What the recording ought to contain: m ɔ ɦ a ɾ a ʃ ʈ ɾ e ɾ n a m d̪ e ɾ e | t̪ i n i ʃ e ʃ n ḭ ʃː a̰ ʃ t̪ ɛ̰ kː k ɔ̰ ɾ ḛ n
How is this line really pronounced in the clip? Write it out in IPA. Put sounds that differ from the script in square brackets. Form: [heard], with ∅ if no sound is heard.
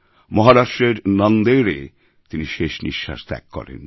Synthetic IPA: m ɔ ɦ a ɾ a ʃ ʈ ɾ e ɾ n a [n] d̪ e ɾ e | t̪ i n i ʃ e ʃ n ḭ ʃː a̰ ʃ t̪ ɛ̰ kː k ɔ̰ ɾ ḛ n